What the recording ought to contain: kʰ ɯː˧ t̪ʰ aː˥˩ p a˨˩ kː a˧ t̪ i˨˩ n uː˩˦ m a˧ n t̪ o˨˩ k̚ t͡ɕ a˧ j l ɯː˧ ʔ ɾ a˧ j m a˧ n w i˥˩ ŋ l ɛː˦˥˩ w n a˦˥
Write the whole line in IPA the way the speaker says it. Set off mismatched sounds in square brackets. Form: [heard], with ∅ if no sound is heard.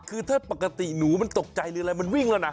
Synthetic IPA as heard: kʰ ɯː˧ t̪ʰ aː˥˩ p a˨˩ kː a˧ t̪ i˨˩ n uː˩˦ m a˧ n t̪ o˨˩ k̚ t͡ɕ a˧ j l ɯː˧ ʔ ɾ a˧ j m a˧ n w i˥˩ ŋ l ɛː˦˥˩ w n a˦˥